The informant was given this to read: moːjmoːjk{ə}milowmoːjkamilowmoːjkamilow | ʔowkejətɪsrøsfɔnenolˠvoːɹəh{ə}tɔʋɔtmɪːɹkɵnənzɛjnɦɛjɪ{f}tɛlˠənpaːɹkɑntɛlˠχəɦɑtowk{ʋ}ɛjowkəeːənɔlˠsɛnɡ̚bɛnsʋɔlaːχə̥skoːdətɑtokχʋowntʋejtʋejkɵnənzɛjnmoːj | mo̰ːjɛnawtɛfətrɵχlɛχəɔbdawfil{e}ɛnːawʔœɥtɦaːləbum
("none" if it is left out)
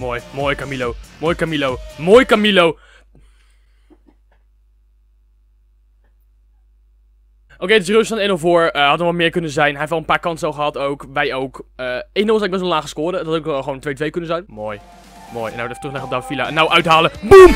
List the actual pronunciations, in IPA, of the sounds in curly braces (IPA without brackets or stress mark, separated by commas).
a, ɑ, f, ʋ, a